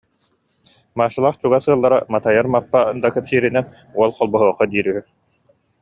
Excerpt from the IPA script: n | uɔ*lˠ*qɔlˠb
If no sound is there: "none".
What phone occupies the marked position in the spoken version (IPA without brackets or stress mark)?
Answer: lˠ